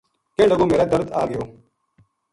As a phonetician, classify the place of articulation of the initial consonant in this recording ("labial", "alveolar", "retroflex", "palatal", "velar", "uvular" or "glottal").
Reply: velar